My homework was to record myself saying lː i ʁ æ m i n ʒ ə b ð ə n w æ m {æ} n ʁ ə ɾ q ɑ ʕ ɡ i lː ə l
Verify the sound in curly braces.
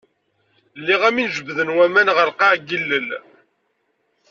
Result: correct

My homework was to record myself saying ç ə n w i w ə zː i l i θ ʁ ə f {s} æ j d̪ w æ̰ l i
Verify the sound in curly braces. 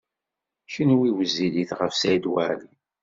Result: correct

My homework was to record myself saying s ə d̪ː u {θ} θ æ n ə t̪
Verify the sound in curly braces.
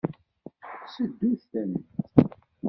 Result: correct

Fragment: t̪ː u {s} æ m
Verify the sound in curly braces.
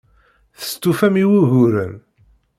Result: incorrect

